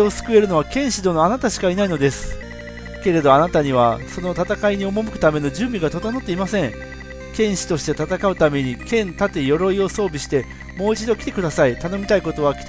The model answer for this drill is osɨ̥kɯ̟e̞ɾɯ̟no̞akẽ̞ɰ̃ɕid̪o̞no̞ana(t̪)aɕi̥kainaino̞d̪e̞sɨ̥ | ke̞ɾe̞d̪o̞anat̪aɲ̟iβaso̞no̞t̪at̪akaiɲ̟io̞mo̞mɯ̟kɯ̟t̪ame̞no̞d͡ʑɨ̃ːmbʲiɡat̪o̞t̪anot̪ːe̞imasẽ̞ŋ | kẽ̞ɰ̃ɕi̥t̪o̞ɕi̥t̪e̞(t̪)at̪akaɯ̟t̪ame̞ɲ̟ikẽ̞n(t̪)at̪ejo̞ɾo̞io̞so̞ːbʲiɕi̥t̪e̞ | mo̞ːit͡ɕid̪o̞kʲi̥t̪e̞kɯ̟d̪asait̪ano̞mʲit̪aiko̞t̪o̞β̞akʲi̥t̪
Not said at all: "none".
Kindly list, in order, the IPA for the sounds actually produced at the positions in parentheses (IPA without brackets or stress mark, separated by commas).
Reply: t̪, t̪, t̪